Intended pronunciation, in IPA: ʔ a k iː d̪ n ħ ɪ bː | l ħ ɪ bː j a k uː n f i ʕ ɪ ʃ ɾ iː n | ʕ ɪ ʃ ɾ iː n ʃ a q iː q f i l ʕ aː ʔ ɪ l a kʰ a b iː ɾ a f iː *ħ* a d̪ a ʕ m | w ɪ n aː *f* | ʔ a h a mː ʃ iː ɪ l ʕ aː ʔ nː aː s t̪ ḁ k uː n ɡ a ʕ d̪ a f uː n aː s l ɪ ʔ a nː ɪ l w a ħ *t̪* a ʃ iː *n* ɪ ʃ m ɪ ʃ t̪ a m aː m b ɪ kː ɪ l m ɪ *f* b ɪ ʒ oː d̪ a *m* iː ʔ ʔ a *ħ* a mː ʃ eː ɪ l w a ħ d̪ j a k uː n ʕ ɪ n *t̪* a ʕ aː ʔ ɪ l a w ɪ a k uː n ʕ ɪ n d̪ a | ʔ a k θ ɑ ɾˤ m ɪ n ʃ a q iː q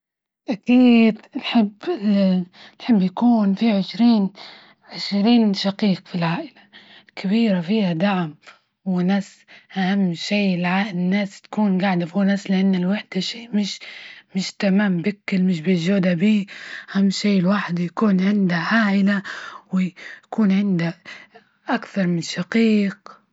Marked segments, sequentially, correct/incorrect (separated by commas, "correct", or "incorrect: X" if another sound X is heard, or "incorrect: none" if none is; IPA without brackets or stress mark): incorrect: h, incorrect: s, incorrect: d̪, incorrect: m, incorrect: ʃ, incorrect: b, incorrect: h, incorrect: d̪